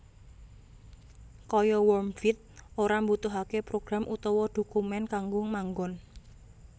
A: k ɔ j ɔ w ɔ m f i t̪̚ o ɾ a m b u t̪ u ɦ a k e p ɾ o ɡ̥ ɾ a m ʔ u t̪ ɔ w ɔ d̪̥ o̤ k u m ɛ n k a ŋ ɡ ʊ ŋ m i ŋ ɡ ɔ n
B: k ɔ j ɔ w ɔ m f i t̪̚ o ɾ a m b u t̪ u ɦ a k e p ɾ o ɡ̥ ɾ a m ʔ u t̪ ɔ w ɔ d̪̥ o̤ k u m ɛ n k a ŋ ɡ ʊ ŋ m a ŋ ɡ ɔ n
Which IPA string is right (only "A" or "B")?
B